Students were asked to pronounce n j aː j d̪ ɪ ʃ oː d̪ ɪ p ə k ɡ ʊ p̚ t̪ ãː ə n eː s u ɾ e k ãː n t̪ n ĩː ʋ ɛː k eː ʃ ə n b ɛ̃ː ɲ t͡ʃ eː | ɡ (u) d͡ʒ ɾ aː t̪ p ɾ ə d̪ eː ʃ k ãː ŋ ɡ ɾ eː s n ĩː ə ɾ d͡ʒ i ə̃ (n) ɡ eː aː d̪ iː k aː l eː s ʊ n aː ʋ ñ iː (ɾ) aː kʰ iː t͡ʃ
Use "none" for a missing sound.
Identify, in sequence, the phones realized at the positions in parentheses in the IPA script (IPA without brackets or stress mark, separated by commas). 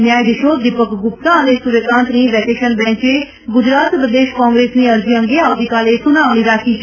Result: ʊ, ŋ, ɾ